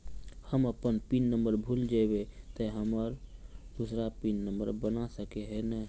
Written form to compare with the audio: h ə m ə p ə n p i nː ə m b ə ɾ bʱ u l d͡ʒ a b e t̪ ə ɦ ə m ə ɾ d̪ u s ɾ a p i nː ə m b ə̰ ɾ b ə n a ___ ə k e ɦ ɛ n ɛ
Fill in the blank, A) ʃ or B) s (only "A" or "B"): B